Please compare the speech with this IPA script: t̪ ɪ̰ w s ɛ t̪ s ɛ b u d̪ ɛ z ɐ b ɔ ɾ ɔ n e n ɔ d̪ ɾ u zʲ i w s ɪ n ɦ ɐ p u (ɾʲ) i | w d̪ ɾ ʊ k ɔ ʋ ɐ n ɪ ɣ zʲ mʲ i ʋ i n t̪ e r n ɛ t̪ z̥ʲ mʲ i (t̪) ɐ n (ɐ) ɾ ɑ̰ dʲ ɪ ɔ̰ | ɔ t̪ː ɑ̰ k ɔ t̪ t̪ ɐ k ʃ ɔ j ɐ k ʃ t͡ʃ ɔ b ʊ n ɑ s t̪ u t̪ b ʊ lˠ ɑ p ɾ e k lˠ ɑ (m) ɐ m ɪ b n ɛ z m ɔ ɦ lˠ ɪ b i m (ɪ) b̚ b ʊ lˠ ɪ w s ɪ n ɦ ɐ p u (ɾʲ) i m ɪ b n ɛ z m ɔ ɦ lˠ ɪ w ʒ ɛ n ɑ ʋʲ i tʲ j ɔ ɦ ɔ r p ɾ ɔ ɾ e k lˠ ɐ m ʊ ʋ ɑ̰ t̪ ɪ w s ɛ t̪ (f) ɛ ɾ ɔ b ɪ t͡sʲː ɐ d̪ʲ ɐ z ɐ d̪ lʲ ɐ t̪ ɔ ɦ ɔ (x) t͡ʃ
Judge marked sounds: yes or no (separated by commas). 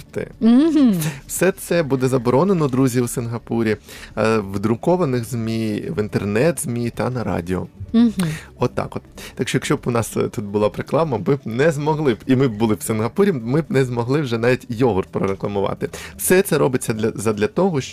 yes, yes, yes, yes, yes, yes, no, no